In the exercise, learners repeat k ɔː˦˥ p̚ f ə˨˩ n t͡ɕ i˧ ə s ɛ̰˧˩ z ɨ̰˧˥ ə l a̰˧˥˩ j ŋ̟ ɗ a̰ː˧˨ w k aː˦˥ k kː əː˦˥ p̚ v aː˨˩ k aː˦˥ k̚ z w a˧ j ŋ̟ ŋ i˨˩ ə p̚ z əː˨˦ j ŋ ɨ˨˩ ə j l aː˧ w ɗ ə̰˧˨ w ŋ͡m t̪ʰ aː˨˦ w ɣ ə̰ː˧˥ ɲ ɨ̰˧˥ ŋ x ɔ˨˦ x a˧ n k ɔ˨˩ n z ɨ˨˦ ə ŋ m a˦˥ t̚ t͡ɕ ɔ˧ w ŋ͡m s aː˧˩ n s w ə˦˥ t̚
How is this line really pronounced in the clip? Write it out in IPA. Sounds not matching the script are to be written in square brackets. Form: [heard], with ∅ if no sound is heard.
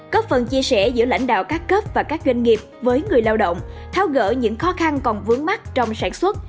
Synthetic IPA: k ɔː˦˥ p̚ f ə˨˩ n t͡ɕ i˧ ə s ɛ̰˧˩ z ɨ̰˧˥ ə l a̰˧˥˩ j ŋ̟ ɗ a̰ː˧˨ w k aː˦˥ k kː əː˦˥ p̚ v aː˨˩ k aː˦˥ k̚ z w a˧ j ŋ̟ ŋ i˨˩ ə p̚ [v] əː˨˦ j ŋ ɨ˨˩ ə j l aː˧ w ɗ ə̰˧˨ w ŋ͡m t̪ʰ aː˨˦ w ɣ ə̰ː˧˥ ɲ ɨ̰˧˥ ŋ x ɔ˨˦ x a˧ n k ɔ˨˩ n [v] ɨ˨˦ ə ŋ m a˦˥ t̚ t͡ɕ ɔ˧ w ŋ͡m s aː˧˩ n s w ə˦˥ t̚